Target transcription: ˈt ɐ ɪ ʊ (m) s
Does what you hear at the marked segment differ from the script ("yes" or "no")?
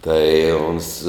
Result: yes